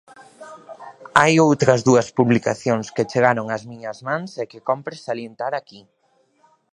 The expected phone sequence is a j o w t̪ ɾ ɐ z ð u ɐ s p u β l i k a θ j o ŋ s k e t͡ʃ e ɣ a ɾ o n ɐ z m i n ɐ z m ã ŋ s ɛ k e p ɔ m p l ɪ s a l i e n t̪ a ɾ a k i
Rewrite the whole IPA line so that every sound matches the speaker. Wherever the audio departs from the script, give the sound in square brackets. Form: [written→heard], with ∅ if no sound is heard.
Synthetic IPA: a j o w t̪ ɾ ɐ z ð u ɐ s p u β l i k a θ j o ŋ s k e t͡ʃ e ɣ a ɾ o [n→ŋ] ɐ z m i [n→ɲ] ɐ z m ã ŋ s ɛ k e [p→k] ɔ m p [l→ɾ] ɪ s a l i e n t̪ a ɾ a k i